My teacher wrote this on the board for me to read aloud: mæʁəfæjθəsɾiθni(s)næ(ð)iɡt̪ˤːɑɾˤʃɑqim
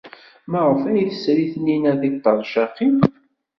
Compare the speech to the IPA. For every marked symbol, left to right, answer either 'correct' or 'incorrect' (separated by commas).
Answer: incorrect, correct